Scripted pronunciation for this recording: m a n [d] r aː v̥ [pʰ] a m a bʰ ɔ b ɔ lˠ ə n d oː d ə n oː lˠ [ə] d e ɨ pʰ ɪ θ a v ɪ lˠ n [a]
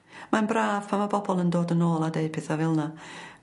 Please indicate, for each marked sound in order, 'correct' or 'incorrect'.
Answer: incorrect: b, correct, incorrect: a, correct

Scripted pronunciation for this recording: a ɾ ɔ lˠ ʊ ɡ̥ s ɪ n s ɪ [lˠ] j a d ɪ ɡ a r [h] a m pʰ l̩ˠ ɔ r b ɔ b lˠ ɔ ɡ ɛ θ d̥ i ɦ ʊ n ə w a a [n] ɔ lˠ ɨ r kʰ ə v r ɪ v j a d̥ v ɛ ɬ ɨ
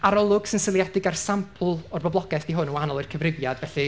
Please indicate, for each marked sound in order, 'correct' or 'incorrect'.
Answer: correct, incorrect: s, correct

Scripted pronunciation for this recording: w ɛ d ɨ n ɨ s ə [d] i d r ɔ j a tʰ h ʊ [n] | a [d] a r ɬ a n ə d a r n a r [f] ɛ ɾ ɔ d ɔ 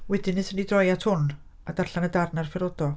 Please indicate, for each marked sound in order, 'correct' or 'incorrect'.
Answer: incorrect: n, correct, correct, correct

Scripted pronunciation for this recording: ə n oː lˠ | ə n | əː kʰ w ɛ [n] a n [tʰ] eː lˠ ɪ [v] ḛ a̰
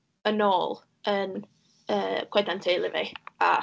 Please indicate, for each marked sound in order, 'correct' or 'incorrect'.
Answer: incorrect: d, correct, correct

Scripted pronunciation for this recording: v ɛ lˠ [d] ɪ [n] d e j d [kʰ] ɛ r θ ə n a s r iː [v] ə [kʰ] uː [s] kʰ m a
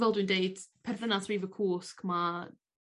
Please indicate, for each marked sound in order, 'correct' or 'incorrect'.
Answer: correct, correct, incorrect: pʰ, correct, correct, correct

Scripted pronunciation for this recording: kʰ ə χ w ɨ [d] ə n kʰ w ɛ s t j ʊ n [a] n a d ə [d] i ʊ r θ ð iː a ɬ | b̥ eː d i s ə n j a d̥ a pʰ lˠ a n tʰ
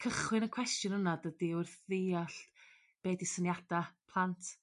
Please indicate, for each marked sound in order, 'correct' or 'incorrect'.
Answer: incorrect: n, incorrect: ə, correct

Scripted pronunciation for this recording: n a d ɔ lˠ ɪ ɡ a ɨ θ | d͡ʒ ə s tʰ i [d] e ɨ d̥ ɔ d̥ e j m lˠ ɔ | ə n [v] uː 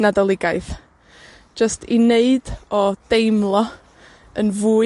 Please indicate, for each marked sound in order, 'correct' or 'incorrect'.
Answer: incorrect: n, correct

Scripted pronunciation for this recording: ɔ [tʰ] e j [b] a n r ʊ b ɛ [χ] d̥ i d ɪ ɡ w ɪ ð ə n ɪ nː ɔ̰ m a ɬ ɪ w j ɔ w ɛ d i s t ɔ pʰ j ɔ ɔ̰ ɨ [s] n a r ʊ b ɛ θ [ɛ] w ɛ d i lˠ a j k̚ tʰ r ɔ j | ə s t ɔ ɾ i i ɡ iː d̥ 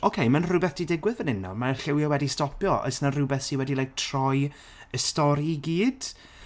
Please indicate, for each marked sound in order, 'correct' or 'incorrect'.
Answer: incorrect: kʰ, incorrect: m, incorrect: θ, correct, incorrect: i

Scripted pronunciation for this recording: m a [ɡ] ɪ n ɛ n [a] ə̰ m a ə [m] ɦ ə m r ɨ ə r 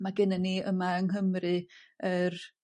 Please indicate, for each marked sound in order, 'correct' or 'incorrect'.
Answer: correct, incorrect: i, incorrect: ŋ

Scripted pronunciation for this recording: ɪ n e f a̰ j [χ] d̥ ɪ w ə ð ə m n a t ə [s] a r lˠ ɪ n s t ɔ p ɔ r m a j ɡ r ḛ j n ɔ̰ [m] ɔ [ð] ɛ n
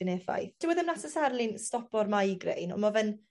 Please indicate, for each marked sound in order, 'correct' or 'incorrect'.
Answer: incorrect: θ, correct, correct, incorrect: v

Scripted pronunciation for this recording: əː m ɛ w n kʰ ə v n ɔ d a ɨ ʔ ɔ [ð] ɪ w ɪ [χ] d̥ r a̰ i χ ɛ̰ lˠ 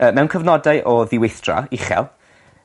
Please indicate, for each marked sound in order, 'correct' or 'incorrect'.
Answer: correct, incorrect: θ

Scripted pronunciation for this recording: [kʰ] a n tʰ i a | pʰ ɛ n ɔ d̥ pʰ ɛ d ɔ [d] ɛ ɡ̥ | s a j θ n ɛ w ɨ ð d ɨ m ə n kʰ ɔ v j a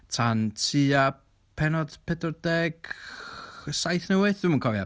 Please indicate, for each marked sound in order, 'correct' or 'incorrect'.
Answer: incorrect: tʰ, correct

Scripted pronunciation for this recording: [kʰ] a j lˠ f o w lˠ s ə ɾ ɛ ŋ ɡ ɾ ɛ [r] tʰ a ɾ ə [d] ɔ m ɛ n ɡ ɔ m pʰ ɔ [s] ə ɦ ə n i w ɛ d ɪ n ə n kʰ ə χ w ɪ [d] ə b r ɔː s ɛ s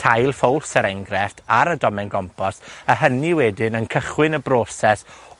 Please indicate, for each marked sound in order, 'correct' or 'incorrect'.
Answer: incorrect: tʰ, correct, correct, correct, incorrect: n

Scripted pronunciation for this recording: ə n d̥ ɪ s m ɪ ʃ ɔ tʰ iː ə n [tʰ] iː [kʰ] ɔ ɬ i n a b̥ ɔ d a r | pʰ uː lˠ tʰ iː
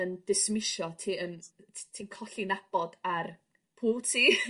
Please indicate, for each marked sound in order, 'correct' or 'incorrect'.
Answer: correct, correct

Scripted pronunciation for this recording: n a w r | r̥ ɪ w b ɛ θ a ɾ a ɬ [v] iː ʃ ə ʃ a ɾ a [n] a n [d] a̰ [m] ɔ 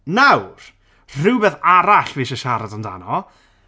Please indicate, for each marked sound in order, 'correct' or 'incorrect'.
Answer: correct, incorrect: d, correct, incorrect: n

